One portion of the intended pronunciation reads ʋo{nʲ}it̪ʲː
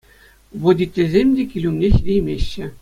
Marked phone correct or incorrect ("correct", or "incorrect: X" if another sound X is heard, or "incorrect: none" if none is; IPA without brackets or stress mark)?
incorrect: dʲ